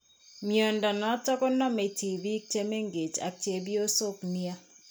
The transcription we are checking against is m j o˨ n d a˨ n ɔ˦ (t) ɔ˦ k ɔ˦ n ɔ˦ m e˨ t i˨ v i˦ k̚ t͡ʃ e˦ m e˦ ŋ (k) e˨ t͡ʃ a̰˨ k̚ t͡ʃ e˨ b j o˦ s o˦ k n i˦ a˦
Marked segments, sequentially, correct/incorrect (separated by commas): correct, incorrect